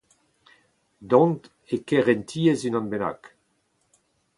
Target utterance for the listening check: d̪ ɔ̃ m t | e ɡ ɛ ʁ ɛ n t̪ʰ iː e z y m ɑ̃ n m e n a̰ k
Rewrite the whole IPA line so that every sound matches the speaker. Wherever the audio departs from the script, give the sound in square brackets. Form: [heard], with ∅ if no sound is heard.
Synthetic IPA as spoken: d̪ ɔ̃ [n] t | e [k] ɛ ʁ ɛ n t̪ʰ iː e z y [n] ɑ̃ n [b] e n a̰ k